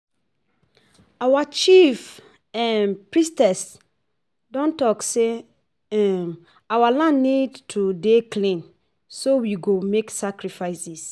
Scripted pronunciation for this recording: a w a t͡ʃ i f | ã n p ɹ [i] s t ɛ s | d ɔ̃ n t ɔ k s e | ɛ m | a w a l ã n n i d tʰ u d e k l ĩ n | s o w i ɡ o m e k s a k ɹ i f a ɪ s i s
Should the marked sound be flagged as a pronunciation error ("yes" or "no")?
no